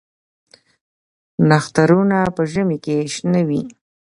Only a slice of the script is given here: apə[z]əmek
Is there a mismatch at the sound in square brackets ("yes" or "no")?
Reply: yes